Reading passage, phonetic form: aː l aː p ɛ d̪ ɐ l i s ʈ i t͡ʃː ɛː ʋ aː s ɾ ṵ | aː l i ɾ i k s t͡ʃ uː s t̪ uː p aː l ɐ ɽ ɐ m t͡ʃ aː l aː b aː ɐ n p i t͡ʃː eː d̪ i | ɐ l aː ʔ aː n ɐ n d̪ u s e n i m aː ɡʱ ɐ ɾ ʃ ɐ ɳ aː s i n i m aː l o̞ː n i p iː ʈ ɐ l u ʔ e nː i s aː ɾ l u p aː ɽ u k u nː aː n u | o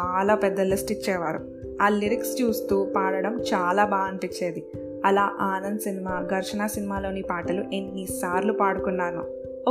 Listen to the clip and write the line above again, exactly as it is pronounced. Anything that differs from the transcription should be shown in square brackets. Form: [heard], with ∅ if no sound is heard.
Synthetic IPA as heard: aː l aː p ɛ [d̪ː] ɐ l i s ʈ i t͡ʃː ɛː ʋ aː [∅] ɾ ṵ | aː l i ɾ i k s t͡ʃ uː s t̪ uː p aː [ɽ] ɐ ɽ ɐ m t͡ʃ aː l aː b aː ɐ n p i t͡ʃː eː d̪ i | ɐ l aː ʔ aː n ɐ n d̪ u s [i] n i m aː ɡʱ ɐ ɾ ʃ ɐ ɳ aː s i n i m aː l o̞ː n i p [aː] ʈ ɐ l u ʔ e nː i s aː ɾ l u p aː ɽ u k u nː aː n u | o